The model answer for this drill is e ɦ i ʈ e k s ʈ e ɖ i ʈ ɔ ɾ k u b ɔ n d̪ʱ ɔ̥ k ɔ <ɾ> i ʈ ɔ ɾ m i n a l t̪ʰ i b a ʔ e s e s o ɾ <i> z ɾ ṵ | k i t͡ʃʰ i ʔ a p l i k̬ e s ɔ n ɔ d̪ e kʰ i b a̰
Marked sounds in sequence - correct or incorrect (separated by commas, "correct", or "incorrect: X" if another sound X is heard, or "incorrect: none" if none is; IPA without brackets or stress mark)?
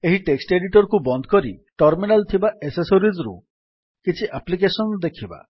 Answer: correct, correct